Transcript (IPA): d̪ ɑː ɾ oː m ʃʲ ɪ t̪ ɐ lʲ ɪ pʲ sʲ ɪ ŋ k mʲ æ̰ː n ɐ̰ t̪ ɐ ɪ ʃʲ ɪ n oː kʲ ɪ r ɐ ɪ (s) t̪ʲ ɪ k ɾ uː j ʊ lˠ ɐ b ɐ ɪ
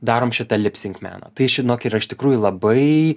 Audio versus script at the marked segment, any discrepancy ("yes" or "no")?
yes